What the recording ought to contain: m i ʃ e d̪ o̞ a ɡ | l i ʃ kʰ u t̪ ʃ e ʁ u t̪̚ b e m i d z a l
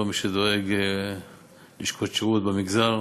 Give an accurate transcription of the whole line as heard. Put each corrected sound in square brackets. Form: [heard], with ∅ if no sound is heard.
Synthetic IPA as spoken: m i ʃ e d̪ o̞ [e] ɡ | l i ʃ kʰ [o] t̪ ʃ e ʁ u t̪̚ b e m i [ɡ] z a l

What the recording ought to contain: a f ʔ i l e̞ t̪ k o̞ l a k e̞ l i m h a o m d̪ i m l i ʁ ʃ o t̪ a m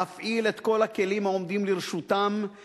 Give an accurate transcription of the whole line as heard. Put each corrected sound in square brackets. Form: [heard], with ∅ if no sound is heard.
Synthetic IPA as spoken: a f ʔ i l e̞ t̪ k o̞ l a k e̞ l i m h a o m d̪ i m l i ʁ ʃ [u] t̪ a m

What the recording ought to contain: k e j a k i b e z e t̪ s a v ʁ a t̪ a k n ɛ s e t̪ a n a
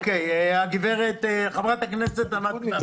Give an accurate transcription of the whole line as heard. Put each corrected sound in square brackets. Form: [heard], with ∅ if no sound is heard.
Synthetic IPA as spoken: k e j a [ɡ] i [v] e [ʁ] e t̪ [χ] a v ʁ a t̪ a k n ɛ s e t̪ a n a

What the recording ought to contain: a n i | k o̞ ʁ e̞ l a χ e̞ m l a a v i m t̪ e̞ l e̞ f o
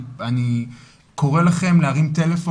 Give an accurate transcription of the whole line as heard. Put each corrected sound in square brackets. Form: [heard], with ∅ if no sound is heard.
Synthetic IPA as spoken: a n i | k o̞ ʁ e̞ l a χ e̞ m l [e] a [ʁ] i m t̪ e̞ l e̞ f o

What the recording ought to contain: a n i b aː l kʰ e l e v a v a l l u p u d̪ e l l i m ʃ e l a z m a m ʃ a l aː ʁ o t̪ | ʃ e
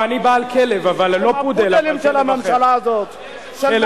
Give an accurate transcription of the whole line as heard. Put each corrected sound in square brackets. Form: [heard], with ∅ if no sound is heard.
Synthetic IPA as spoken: a n i b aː l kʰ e l e v a v a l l [o] p u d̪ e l l i m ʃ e l a [∅] m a m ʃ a l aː [z] o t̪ | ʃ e

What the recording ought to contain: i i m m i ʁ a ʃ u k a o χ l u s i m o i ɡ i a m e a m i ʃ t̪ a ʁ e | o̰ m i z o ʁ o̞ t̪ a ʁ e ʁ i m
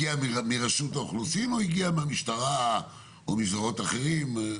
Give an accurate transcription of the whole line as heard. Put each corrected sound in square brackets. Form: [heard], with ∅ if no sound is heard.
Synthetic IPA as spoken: i [a] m m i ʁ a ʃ u [t] a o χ l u s i m o i ɡ i a m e a m i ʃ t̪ a ʁ [a] | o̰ m i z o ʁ o̞ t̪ a [χ] e ʁ i m

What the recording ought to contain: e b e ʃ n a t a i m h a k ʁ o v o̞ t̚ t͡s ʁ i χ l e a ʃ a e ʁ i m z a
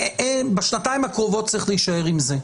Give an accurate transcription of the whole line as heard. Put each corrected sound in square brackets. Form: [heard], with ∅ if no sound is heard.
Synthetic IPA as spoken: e b e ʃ n a t a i m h a k ʁ o v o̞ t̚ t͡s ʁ i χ l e [i] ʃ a e ʁ i m z [e]

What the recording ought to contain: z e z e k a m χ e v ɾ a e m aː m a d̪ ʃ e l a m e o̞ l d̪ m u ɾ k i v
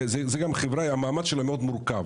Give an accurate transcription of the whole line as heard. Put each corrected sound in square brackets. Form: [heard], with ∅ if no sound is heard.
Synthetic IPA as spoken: z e z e [ɡ] a m χ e v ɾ a [a] m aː m a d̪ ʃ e l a m e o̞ [∅] d̪ m u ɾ k [a] v

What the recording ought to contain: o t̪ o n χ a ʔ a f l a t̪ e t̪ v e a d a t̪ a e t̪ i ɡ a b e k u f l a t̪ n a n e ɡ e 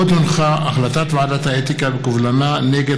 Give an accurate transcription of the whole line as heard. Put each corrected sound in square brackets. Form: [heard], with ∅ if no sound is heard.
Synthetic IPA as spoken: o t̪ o n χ a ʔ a [χ] l a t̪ [a] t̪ v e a d a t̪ a e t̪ i [k] a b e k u [v] l a [∅] n a n e ɡ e

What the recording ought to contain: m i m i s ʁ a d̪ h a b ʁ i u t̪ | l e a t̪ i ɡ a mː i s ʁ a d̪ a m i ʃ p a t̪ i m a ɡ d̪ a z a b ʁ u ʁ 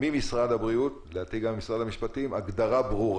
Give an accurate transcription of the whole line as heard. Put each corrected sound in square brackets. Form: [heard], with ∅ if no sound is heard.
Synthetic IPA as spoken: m i m i s ʁ a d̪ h a b ʁ i u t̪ | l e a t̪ i ɡ a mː i s ʁ a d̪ a m i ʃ p a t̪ i m a ɡ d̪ a [ʁ] a b ʁ u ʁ

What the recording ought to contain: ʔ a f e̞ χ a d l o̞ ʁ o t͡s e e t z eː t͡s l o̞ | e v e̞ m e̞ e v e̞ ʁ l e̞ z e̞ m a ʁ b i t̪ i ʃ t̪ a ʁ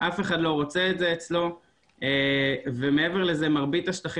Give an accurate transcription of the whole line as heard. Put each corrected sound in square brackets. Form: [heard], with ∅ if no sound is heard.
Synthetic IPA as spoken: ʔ a f e̞ χ a d l o̞ ʁ o t͡s e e t z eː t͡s l o̞ | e v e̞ m e̞ e v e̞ ʁ l e̞ z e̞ m a ʁ b i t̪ [a] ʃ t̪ a [χ]

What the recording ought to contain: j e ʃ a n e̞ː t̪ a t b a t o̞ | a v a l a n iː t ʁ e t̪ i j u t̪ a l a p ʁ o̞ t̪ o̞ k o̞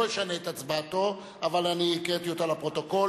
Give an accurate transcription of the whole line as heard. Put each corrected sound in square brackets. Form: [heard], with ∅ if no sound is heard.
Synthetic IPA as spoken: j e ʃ a n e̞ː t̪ a [t͡s] b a t o̞ | a v a l a n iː [k] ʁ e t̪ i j [o] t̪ a l a p ʁ o̞ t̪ o̞ k o̞

